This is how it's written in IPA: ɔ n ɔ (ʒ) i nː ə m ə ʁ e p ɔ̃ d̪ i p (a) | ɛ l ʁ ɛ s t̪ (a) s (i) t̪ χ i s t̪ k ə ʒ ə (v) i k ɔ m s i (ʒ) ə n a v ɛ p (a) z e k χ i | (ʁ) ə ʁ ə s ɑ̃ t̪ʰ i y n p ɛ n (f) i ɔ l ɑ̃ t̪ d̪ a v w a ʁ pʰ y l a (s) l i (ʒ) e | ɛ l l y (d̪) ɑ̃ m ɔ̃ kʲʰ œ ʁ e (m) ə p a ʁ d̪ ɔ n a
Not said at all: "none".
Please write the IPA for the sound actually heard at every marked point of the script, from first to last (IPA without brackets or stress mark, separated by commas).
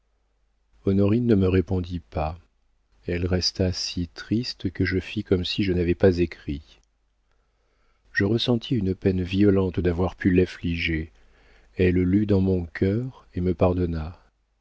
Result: ʁ, a, a, i, f, ʒ, a, ʒ, v, f, ʒ, d̪, m